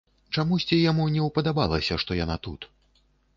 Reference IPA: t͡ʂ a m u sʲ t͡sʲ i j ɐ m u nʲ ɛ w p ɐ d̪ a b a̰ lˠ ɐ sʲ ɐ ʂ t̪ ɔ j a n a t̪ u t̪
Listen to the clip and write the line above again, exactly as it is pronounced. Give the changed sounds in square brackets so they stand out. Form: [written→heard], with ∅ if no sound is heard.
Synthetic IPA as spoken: t͡ʂ a m u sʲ t͡sʲ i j [ɐ→a] m u nʲ ɛ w p ɐ d̪ a b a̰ lˠ ɐ sʲ ɐ ʂ t̪ ɔ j a n a t̪ u t̪